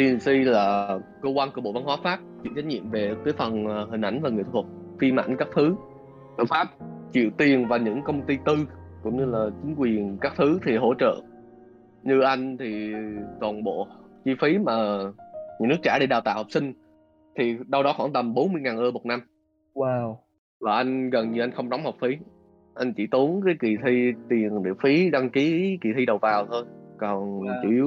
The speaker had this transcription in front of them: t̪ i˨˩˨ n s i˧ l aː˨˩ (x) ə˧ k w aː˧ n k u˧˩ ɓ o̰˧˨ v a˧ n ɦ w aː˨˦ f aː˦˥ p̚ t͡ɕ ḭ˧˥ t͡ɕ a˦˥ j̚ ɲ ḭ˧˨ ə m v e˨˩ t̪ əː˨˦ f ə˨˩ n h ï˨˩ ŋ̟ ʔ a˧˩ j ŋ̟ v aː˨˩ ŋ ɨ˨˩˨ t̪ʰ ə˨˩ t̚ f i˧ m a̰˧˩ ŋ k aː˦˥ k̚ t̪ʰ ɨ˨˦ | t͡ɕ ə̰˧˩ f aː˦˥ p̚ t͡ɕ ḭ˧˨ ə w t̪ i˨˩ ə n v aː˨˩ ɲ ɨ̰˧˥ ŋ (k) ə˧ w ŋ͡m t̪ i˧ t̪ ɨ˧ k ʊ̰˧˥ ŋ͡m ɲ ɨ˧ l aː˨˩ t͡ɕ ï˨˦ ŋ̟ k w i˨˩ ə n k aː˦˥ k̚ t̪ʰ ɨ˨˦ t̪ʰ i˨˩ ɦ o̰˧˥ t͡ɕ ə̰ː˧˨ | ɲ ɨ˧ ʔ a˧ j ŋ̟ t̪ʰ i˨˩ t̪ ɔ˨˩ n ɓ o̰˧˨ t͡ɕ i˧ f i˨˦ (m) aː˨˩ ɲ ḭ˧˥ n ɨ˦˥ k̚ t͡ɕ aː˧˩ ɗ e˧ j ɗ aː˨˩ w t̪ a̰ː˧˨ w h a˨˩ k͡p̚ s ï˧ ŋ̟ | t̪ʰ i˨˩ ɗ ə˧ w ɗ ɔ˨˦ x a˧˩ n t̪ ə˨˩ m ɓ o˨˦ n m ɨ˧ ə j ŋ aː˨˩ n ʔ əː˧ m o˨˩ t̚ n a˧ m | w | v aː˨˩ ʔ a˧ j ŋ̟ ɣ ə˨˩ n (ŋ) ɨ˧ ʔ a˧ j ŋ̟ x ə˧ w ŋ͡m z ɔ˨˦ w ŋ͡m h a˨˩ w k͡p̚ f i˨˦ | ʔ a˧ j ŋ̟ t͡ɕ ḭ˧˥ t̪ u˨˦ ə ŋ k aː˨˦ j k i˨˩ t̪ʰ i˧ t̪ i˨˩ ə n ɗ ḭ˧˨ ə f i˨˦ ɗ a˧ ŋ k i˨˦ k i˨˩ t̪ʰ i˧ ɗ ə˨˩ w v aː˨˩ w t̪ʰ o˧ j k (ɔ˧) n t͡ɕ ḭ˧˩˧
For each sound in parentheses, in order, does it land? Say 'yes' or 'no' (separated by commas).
no, yes, yes, no, no